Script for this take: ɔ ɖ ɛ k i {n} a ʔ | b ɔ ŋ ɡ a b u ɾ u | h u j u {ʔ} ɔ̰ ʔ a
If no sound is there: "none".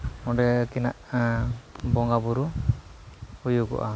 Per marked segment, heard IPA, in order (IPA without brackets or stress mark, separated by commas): n, k